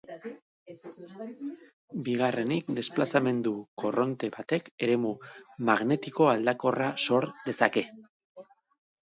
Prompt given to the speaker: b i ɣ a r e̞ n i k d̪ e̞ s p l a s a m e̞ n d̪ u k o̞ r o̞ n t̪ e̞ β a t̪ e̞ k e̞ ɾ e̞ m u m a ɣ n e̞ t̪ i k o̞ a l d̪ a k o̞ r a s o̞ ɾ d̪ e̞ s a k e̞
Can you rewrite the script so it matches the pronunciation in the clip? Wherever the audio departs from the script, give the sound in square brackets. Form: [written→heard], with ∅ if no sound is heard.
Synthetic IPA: b i ɣ a r e̞ n i k d̪ e̞ s p l a s a m e̞ n d̪ u k o̞ r o̞ n t̪ e̞ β a t̪ e̞ k e̞ ɾ e̞ m u m a ɣ n e̞ t̪ i k o̞ a l d̪ a k o̞ r a s o̞ ɾ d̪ e̞ s a k e̞